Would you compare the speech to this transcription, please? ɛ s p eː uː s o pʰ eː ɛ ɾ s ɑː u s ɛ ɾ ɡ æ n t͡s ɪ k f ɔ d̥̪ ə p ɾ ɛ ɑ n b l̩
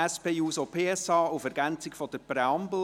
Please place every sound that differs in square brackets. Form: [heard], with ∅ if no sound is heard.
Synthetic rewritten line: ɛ s p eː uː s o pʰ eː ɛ [∅] s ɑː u [f] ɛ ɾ ɡ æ n t͡s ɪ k f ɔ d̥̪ ə p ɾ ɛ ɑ [m] b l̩